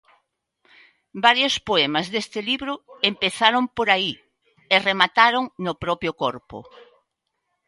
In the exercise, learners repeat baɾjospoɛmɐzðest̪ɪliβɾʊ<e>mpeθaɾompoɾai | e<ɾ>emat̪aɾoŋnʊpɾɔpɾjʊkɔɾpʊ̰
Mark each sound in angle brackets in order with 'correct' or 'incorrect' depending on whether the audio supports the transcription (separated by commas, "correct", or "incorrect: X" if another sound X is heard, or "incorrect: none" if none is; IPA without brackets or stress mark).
correct, incorrect: r